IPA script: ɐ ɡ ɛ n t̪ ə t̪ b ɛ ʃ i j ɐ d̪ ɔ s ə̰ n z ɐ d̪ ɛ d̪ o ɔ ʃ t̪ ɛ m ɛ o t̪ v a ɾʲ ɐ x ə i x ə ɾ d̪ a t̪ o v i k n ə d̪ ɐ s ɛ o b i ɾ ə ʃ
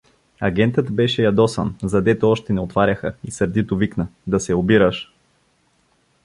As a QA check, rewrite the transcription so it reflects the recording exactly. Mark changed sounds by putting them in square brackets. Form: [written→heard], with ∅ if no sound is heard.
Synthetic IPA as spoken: ɐ ɡ ɛ n t̪ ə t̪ b ɛ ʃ [i→ɛ] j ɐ d̪ ɔ s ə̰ n z ɐ d̪ ɛ [d̪→t̪] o ɔ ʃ t̪ ɛ [m→n] ɛ o t̪ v a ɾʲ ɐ x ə i [x→s] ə ɾ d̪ [a→i] t̪ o v i k n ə d̪ ɐ s ɛ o b i ɾ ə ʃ